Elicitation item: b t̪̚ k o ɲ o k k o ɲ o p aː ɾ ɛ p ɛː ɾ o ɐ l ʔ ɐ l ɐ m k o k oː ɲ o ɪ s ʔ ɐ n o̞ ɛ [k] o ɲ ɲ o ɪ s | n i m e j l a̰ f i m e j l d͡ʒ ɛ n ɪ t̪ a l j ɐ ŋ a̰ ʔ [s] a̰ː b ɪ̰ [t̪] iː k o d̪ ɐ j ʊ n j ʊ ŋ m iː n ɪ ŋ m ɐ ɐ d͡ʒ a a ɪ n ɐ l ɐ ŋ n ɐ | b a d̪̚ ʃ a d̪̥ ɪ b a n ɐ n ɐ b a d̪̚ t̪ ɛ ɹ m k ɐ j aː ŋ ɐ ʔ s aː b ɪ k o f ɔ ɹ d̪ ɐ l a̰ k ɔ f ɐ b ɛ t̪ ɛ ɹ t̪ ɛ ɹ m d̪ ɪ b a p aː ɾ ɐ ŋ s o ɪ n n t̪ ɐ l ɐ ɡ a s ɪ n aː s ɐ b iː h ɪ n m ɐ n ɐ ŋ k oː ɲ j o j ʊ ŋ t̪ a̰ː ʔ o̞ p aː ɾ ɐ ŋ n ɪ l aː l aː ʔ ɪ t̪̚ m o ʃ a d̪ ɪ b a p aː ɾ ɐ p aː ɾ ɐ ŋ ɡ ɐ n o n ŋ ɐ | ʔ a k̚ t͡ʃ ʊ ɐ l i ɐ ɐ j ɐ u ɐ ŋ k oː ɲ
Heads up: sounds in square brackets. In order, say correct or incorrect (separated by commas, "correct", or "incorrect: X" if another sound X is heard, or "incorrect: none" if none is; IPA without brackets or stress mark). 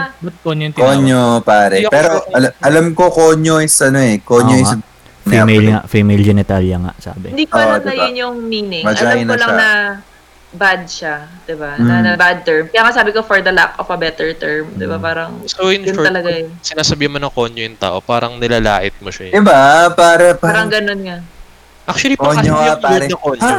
correct, correct, incorrect: d̪